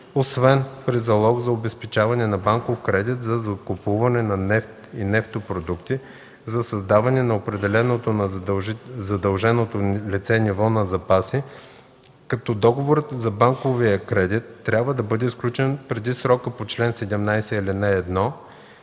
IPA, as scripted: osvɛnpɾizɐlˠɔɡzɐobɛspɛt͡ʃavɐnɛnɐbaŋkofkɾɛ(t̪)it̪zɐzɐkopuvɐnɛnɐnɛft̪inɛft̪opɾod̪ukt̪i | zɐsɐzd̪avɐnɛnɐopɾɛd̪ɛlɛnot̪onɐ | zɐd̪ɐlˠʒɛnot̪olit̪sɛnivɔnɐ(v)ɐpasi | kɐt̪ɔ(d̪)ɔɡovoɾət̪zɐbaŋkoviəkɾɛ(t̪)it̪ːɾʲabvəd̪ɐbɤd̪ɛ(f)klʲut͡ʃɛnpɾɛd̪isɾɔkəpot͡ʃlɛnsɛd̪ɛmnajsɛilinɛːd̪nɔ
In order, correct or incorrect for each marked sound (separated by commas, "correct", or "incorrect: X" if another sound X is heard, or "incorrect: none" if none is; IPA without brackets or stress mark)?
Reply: incorrect: d̪, incorrect: z, correct, incorrect: d̪, incorrect: s